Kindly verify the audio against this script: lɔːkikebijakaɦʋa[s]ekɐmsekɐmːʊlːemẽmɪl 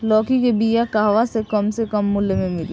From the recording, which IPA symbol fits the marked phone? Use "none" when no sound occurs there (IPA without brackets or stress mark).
s